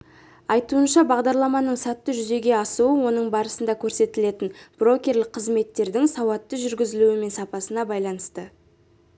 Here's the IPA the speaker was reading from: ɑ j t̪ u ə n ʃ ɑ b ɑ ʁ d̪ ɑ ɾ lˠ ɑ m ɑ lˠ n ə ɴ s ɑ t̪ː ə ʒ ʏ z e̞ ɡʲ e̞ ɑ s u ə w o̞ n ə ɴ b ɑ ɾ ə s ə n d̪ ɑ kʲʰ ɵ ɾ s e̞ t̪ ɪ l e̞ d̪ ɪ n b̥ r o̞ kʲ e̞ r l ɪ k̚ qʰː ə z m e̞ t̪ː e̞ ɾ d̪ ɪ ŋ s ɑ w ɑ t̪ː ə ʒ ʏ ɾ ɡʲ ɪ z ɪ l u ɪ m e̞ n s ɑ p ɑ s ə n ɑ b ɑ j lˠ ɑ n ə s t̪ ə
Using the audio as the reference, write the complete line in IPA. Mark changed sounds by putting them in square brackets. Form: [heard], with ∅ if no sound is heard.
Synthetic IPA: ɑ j t̪ u ə n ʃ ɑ b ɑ ʁ d̪ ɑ ɾ lˠ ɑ m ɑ [∅] n ə ɴ s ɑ t̪ː ə ʒ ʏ z e̞ ɡʲ e̞ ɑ s u ə w o̞ n ə ɴ b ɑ ɾ ə s ə n d̪ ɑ kʲʰ ɵ ɾ s e̞ t̪ ɪ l e̞ [t̪] ɪ n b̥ r o̞ kʲ e̞ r l ɪ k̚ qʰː ə z m e̞ t̪ː e̞ ɾ d̪ ɪ ŋ s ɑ w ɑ t̪ː ə ʒ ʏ ɾ ɡʲ ɪ z ɪ l u ɪ m e̞ n s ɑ p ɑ s ə n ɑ b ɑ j lˠ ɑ n ə s t̪ ə